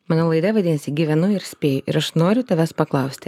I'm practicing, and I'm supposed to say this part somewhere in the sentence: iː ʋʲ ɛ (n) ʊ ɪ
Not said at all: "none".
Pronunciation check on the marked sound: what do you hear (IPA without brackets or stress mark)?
n